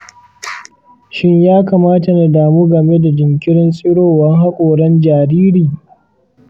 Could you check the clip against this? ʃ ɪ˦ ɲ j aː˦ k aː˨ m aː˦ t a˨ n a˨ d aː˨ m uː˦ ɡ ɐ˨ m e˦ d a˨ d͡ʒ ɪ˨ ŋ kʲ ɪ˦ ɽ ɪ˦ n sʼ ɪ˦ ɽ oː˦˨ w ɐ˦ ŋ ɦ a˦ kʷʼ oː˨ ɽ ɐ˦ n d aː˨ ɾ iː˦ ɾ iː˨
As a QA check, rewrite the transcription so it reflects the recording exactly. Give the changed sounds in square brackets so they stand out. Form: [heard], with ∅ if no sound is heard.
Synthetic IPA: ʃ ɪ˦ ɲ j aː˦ k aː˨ m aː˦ t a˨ n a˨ d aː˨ m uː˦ ɡ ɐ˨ m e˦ d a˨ d͡ʒ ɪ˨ ŋ kʲ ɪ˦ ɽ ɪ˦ n sʼ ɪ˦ ɽ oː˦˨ w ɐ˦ ŋ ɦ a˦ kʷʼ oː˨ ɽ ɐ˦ n [d͡ʒ] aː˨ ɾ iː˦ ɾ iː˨